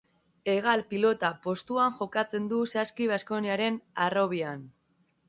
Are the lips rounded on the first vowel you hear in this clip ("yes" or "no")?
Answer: no